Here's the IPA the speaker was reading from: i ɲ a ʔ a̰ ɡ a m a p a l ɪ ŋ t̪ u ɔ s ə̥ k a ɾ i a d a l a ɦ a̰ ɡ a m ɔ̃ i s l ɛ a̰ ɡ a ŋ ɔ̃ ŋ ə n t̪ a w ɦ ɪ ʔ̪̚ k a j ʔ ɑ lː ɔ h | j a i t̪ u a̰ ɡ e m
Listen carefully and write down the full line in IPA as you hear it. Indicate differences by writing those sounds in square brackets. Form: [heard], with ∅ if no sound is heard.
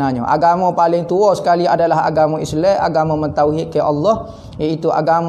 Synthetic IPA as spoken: [a] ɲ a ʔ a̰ ɡ a m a p a l ɪ ŋ t̪ u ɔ s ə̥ k a [l] i a d a l a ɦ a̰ ɡ a m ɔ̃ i s l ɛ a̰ ɡ a [m] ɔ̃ [m] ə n t̪ a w ɦ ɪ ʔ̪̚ k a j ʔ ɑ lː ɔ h | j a i t̪ u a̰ ɡ [a] m